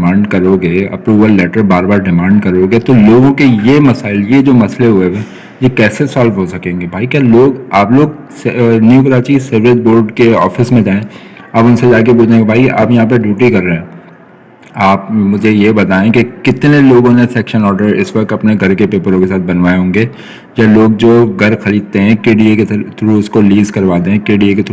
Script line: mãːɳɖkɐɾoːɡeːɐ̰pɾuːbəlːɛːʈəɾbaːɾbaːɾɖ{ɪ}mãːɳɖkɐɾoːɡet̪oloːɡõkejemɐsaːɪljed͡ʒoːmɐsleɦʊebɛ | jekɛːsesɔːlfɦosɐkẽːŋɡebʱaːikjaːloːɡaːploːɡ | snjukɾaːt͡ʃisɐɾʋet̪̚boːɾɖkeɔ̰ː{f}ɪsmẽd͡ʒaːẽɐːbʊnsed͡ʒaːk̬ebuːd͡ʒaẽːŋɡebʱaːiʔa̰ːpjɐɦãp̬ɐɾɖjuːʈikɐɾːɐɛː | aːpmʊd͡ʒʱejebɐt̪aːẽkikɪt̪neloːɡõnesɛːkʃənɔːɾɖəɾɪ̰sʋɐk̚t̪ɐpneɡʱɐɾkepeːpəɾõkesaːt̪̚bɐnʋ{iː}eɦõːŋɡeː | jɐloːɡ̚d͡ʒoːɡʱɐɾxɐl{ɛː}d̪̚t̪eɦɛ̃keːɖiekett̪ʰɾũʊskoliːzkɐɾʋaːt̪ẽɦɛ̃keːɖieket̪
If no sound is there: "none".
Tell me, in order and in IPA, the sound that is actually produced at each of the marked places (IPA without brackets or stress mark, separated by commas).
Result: ɪ, f, aː, iː